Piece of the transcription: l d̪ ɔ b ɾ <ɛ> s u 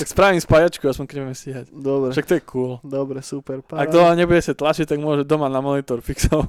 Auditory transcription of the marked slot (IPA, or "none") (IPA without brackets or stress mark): ɛ